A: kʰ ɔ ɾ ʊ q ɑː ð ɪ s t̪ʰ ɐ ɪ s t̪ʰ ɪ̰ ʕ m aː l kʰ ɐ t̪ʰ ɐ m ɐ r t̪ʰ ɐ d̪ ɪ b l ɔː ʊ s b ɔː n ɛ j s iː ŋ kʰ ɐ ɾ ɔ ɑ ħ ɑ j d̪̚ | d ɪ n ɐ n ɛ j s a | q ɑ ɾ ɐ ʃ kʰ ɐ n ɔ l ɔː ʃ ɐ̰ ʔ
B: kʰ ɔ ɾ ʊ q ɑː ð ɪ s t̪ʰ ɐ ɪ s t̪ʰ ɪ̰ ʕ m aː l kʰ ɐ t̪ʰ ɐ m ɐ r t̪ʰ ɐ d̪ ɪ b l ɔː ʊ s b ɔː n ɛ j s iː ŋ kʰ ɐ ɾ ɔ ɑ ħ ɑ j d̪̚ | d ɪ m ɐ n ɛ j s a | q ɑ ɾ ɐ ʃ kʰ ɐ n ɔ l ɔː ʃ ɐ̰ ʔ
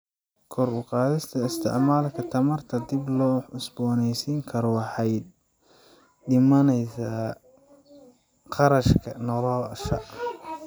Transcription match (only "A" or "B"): B